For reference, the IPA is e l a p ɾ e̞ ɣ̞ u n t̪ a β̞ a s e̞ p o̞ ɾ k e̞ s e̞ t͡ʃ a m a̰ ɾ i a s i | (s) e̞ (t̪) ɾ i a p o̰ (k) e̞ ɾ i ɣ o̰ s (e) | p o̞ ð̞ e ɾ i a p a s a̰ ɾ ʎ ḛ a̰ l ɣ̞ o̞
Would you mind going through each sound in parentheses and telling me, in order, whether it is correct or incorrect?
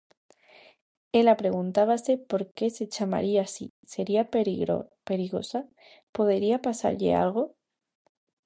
correct, incorrect, incorrect, incorrect

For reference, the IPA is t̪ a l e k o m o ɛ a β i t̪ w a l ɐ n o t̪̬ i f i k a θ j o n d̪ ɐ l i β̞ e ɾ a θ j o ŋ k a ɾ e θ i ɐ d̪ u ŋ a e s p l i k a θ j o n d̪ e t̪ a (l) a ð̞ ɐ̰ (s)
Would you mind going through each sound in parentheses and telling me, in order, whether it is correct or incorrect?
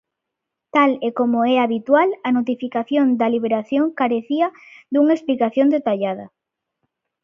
incorrect, incorrect

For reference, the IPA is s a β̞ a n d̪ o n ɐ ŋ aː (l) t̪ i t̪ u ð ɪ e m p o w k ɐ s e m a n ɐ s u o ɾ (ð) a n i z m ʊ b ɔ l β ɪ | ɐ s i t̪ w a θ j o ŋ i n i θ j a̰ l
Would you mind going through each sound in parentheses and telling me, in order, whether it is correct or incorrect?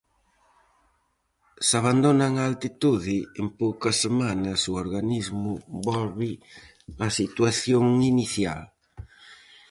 correct, incorrect

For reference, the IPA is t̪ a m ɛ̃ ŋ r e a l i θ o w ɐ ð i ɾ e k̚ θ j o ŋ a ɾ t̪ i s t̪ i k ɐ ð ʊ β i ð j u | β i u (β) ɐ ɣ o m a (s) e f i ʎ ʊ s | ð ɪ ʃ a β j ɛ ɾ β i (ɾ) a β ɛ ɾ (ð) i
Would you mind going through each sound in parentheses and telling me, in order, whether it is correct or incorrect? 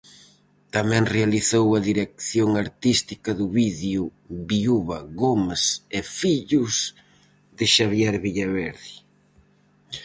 correct, correct, incorrect, correct

